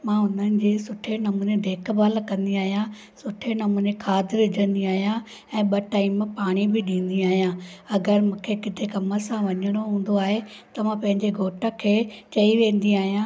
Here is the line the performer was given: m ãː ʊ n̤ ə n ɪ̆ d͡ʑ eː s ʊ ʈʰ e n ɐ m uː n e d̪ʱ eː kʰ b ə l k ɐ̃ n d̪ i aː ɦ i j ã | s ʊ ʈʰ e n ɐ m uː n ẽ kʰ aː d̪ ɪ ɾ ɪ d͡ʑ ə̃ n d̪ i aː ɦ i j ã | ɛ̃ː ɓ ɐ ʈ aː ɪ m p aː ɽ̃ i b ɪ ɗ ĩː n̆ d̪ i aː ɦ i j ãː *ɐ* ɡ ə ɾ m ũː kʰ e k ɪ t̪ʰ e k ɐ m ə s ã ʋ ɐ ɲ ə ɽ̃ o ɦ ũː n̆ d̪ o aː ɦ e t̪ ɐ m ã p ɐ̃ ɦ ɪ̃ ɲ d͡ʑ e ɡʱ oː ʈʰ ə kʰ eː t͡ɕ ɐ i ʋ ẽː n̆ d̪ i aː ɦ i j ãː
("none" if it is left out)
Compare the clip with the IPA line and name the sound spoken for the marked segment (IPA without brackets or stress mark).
ɐ